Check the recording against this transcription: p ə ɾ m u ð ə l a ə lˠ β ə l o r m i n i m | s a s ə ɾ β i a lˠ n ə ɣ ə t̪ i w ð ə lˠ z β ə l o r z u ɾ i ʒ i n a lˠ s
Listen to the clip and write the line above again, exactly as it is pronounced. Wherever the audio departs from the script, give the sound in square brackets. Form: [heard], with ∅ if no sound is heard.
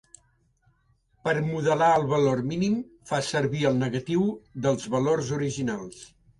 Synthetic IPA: p ə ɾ m u ð ə l a ə lˠ β ə l o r m i n i m | [f] a s ə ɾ β i [ə] lˠ n ə ɣ ə t̪ i w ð ə lˠ z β ə l o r z u ɾ i ʒ i n a lˠ s